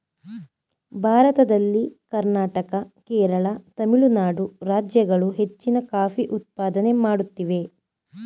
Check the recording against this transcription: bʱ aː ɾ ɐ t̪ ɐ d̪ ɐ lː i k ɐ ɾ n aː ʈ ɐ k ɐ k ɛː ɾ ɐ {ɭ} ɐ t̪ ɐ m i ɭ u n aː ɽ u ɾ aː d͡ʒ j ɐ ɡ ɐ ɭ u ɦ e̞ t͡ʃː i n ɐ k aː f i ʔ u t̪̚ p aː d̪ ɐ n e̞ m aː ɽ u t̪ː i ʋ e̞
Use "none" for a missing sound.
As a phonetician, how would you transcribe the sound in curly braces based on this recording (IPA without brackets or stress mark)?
ɭ